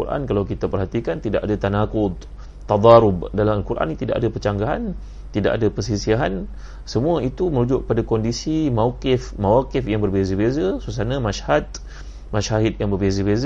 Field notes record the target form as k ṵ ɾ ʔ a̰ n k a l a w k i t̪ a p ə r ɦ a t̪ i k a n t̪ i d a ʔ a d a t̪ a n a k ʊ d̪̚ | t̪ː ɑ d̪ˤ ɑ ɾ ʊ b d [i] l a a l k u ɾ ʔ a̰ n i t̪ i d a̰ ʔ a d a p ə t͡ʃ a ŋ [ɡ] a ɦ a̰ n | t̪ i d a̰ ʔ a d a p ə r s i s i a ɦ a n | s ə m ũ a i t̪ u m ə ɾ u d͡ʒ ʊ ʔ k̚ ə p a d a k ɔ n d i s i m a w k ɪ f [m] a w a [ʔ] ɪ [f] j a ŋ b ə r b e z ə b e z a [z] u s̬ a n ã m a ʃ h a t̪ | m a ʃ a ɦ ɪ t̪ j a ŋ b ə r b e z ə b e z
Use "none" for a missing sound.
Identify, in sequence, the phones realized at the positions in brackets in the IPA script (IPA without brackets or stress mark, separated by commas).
a, ɡ, m, k, f, s